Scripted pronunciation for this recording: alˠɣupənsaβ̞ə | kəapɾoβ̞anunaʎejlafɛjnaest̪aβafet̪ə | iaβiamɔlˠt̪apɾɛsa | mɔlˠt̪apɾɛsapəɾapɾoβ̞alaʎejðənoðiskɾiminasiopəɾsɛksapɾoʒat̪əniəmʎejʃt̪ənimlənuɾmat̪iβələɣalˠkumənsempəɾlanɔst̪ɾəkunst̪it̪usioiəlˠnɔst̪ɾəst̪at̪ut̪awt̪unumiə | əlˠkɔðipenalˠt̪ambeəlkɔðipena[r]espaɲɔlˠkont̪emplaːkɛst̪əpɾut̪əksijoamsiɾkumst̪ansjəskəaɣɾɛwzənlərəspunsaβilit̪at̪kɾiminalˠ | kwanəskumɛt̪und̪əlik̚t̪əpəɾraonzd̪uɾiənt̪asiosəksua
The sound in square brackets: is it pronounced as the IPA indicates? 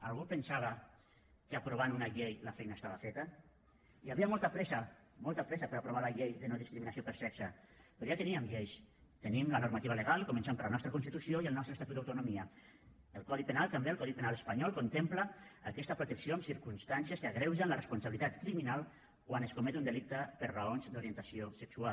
no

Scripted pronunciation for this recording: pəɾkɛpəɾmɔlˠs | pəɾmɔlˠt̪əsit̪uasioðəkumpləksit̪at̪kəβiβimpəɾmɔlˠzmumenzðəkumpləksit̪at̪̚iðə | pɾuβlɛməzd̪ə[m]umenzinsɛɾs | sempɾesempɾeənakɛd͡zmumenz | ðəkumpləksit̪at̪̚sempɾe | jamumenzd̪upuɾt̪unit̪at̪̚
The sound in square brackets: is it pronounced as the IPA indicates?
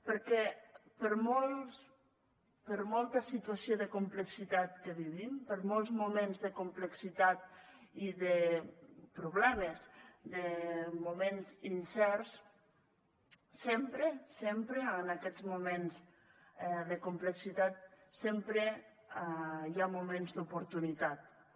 yes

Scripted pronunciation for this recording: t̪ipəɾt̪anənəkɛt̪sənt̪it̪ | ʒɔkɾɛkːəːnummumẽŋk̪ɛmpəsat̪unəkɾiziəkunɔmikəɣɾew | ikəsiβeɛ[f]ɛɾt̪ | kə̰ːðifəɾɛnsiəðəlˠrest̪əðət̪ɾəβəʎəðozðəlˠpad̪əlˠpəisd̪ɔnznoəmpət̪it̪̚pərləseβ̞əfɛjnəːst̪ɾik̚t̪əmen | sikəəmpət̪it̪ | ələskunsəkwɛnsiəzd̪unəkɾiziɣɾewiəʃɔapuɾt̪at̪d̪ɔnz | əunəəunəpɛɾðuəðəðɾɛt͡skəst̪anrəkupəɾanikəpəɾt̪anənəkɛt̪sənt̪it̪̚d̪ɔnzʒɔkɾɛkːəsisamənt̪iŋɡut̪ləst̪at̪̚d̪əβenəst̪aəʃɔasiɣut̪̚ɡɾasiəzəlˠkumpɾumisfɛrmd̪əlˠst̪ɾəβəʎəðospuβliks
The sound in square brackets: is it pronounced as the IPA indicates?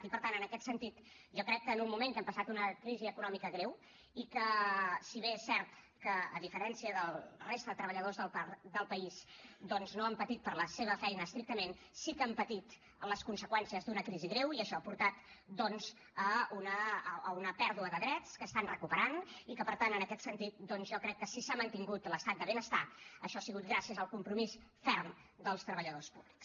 no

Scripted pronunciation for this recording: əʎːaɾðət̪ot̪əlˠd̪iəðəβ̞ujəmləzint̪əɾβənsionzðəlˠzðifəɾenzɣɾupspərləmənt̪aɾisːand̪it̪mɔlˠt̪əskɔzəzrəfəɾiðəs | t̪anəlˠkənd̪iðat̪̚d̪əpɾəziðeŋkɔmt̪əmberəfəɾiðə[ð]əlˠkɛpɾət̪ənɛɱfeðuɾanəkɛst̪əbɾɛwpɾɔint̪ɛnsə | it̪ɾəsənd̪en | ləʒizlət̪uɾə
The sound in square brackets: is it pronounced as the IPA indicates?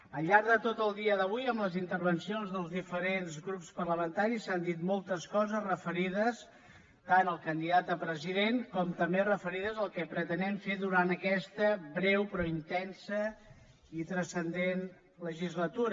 no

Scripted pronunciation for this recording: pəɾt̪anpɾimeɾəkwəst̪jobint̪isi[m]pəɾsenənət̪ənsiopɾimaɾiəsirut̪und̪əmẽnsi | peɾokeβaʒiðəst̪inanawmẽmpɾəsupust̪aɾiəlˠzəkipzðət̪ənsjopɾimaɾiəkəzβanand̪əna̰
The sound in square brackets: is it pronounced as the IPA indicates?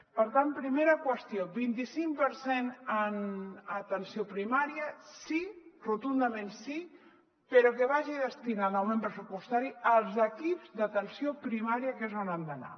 no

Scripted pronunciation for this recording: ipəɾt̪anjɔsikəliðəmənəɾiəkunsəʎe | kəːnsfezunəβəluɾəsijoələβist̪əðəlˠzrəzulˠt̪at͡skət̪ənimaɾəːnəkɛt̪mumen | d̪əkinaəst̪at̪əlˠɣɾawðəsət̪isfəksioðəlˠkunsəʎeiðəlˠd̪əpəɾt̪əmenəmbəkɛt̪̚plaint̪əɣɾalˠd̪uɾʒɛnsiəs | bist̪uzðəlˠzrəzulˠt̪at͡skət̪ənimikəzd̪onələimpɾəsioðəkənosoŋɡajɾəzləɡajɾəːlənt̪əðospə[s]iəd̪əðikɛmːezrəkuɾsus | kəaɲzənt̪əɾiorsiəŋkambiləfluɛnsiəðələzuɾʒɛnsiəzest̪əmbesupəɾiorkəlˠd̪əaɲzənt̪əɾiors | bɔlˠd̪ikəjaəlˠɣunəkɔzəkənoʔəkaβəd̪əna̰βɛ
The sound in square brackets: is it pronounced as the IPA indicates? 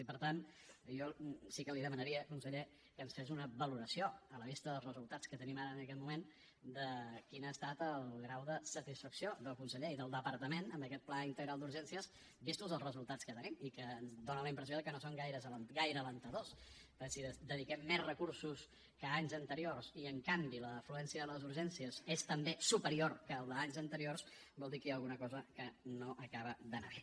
yes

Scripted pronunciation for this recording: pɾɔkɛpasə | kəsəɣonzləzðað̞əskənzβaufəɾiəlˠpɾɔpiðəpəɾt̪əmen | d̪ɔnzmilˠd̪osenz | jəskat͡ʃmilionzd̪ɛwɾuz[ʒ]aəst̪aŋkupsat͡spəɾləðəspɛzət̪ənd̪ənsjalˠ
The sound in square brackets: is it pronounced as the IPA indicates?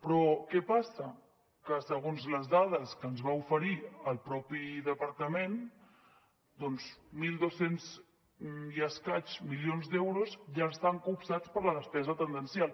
yes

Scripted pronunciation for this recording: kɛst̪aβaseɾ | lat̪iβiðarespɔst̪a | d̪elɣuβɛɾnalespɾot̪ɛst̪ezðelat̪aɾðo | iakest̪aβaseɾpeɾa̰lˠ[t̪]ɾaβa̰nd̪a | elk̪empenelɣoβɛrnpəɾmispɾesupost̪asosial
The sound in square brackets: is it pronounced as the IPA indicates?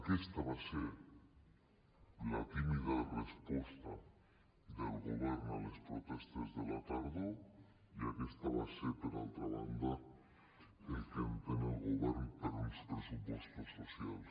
yes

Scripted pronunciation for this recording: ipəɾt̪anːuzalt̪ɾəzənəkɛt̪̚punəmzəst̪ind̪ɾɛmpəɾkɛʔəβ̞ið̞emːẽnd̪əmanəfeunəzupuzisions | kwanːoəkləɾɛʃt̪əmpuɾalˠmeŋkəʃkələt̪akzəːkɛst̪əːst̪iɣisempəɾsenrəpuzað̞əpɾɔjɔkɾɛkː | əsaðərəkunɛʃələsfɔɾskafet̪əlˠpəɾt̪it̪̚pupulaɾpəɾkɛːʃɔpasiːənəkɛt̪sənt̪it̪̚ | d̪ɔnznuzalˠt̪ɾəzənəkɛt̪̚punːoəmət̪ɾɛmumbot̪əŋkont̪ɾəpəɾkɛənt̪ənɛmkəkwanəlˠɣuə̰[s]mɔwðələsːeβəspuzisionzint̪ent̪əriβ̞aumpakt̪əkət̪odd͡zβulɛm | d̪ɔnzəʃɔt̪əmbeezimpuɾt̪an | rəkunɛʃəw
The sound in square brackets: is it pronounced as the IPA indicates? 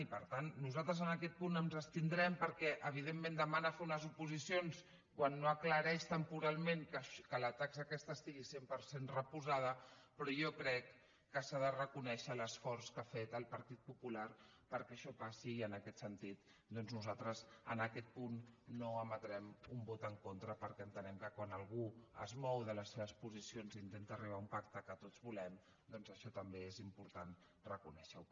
no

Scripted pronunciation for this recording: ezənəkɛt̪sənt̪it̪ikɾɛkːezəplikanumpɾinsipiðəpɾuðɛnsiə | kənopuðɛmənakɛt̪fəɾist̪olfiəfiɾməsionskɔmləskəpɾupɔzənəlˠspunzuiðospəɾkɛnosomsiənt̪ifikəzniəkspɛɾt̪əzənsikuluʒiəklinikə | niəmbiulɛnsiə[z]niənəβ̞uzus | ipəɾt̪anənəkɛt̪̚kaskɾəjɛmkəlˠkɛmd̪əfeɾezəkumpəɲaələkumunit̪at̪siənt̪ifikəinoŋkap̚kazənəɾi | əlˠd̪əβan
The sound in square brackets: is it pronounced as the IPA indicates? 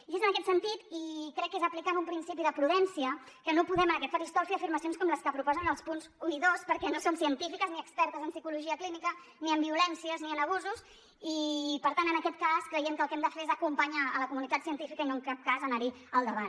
yes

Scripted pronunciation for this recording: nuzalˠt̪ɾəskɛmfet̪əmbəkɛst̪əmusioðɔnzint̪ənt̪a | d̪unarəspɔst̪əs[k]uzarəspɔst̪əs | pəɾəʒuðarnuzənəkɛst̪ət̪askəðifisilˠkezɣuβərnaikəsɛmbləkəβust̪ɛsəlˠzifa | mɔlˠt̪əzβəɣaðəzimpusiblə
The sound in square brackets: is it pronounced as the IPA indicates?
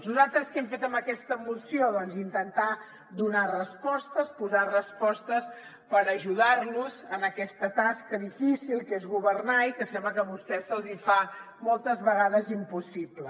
no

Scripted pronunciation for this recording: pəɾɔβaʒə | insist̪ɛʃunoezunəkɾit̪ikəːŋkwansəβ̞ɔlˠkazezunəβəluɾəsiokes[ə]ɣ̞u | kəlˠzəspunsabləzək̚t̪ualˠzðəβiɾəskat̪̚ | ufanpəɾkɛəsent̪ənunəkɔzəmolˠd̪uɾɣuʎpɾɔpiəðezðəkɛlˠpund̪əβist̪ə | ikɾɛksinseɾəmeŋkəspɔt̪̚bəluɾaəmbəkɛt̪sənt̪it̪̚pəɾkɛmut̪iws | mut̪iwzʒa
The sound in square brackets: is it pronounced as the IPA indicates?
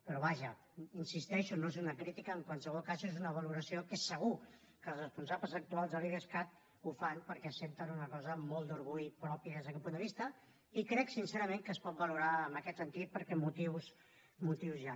yes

